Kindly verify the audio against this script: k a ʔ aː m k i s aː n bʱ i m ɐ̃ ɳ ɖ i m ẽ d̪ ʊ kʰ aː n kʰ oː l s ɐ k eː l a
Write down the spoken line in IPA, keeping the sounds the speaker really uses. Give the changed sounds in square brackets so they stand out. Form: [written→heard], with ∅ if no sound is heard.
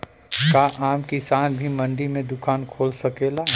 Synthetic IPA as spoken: k a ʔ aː m k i s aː n bʱ i m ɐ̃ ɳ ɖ i m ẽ d̪ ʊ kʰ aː n kʰ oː l s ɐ k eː l a